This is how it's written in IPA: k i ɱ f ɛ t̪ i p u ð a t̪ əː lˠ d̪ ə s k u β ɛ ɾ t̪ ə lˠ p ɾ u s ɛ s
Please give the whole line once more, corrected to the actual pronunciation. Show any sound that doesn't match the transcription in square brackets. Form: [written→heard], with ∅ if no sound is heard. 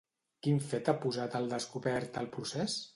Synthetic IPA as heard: k i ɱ f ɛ t̪ [i→a] p u [ð→z] a t̪ [əː→ə] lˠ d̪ ə s k u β ɛ ɾ t̪ ə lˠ p ɾ u s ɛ s